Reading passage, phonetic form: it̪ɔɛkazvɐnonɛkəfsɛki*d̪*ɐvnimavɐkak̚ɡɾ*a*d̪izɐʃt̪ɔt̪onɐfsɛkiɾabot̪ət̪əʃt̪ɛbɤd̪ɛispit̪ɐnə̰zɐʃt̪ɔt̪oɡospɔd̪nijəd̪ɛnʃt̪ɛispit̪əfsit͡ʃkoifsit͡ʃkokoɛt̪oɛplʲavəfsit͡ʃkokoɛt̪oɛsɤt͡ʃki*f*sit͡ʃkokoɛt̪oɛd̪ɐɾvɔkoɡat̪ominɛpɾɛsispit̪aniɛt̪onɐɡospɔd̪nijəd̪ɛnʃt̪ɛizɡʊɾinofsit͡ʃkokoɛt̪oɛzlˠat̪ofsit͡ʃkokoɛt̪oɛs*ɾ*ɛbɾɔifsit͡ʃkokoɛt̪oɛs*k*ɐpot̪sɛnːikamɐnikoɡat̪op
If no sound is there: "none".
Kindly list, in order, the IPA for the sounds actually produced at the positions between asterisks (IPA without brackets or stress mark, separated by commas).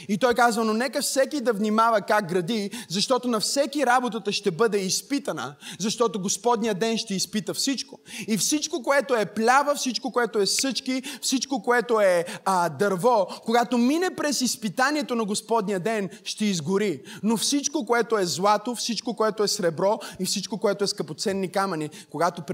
d̪, ɐ, f, ɾ, k